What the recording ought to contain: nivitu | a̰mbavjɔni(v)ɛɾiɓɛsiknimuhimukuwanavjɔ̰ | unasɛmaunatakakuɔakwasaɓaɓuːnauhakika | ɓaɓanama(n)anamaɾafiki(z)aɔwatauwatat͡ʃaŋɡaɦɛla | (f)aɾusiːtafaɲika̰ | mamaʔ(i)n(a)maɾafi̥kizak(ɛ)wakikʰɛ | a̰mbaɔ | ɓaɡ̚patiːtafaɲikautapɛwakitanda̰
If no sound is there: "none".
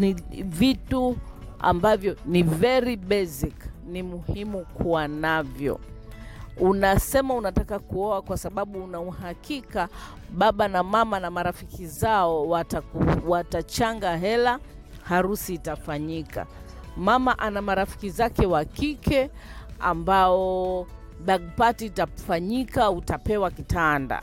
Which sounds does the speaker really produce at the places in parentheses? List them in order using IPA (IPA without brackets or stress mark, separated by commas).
v, m, z, h, a, a, ɛ